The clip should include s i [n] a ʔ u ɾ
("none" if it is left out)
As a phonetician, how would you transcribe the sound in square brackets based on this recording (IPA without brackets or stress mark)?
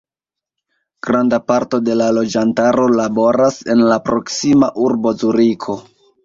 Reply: m